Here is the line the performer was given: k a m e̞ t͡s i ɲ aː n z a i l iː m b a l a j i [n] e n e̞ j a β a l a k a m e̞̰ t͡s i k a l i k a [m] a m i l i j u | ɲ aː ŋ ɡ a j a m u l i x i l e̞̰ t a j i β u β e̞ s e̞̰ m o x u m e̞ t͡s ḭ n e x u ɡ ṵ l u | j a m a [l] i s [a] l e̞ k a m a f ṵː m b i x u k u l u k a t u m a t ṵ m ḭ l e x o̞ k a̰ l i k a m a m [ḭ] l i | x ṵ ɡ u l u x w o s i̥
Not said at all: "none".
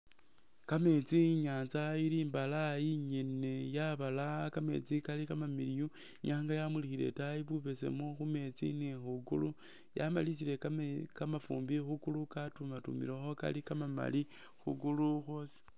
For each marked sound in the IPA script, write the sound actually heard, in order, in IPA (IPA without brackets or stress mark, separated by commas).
ɲ, m, l, i, a̰